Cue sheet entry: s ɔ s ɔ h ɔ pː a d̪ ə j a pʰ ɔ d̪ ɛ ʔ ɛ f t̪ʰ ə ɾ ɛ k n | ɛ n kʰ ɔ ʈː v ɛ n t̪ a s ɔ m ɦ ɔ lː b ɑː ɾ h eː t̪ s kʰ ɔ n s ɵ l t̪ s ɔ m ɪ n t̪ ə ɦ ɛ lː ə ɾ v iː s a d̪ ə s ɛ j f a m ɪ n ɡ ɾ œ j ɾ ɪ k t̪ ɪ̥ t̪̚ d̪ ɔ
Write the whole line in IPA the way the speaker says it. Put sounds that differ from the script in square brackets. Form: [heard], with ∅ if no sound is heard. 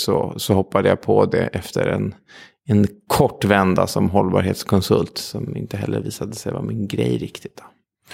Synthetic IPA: s ɔ s ɔ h ɔ pː a d̪ ə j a pʰ ɔ d̪ ɛ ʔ ɛ f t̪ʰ ə ɾ ɛ [∅] n | ɛ n kʰ ɔ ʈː v ɛ n [d̪] a s ɔ m ɦ ɔ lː b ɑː ɾ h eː t̪ s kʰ ɔ n s ɵ l t̪ s ɔ m ɪ n t̪ ə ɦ ɛ lː ə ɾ v iː s a d̪ ə s ɛ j [v] a m ɪ n ɡ ɾ [ɛ] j ɾ ɪ k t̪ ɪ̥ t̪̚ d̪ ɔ